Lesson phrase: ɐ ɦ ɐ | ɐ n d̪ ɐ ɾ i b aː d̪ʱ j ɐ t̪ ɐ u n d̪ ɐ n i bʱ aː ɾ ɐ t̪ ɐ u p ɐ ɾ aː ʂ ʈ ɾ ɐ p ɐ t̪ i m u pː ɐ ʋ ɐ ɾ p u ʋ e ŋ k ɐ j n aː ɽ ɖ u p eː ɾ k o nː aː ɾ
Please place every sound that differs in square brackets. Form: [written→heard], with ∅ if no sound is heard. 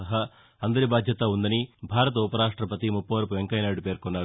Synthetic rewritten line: ɐ ɦ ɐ | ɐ n d̪ ɐ ɾ i b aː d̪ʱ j ɐ t̪ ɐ u n d̪ ɐ n i bʱ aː ɾ ɐ t̪ ɐ u p ɐ ɾ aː ʂ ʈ ɾ ɐ p ɐ t̪ i m u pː ɐ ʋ ɐ ɾ p u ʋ e ŋ k ɐ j n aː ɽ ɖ u p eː ɾ k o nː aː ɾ